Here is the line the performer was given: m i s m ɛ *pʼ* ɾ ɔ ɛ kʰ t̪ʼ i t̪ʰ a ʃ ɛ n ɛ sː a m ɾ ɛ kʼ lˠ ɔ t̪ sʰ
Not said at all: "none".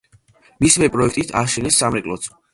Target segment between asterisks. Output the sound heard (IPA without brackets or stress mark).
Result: pʼ